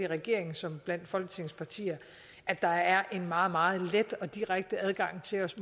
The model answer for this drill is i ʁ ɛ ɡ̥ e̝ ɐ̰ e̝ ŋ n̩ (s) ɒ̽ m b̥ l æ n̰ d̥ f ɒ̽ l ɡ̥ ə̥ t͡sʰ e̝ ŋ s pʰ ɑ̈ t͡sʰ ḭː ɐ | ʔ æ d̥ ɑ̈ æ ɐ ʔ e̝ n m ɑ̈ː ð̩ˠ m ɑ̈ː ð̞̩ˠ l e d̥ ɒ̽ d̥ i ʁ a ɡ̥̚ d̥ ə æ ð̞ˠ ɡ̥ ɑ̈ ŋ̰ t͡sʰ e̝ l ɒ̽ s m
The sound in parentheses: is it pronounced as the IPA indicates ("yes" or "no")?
yes